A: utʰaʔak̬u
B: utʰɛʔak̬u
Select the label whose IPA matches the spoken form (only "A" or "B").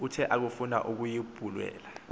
B